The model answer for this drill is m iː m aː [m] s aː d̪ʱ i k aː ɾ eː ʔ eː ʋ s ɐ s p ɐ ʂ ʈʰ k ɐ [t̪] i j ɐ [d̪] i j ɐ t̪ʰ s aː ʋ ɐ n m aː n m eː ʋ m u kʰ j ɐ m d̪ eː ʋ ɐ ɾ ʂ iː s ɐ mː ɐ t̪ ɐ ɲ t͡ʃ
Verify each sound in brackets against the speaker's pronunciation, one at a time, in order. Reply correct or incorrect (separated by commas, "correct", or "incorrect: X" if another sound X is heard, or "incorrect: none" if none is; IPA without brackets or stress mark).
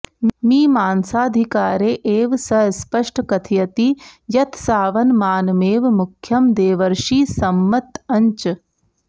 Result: incorrect: n, incorrect: t̪ʰ, incorrect: t̪